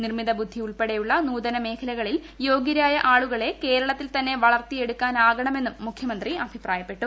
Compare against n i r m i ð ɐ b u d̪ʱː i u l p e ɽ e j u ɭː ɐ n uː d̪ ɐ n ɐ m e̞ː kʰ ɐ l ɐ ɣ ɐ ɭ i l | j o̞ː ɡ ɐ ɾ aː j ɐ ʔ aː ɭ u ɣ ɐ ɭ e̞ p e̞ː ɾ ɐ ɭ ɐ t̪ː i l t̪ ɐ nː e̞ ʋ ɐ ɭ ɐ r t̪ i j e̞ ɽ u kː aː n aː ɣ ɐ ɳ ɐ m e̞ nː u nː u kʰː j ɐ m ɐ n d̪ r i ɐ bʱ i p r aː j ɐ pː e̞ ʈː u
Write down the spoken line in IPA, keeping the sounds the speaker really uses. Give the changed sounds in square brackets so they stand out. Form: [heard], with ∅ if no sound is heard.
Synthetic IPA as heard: n i r m i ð ɐ b u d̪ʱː i u [ɭ] p e ɽ e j u ɭː ɐ n uː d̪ ɐ n ɐ m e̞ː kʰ ɐ l ɐ ɣ ɐ ɭ i l | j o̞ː ɡ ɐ ɾ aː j ɐ ʔ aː ɭ u ɣ ɐ ɭ e̞ [k] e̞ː ɾ ɐ ɭ ɐ t̪ː i l t̪ ɐ nː e̞ ʋ ɐ ɭ ɐ r t̪ i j e̞ ɽ u kː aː n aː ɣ ɐ ɳ ɐ m e̞ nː u [mː] u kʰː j ɐ m ɐ n d̪ r i ɐ bʱ i p r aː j ɐ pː e̞ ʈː u